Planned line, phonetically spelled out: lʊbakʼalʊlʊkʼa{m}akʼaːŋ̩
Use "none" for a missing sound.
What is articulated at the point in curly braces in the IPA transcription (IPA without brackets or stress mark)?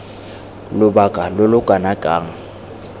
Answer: n